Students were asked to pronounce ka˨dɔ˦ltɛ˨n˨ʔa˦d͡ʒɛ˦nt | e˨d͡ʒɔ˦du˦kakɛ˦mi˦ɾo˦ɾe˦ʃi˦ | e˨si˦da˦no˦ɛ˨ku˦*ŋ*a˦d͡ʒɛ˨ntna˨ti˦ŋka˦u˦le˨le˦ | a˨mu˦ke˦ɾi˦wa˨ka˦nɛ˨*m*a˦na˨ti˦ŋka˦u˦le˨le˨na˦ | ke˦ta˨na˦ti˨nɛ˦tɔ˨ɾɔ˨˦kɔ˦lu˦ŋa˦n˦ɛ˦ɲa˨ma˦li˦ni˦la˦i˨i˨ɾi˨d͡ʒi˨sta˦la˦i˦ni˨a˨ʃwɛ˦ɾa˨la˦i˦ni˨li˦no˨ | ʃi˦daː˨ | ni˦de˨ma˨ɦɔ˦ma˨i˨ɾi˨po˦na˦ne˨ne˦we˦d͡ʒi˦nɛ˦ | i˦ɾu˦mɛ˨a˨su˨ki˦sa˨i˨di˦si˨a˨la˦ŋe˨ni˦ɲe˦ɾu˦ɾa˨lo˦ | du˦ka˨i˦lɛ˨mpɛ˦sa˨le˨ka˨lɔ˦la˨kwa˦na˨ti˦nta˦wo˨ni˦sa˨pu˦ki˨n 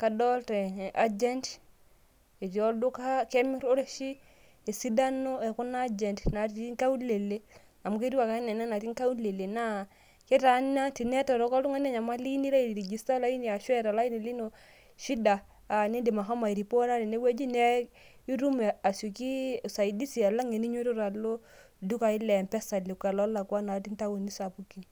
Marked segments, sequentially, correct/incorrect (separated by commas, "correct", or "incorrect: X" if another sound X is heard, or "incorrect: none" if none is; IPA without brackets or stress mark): incorrect: n, incorrect: n